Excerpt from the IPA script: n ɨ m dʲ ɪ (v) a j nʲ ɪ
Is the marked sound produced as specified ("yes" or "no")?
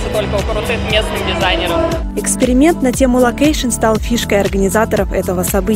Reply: no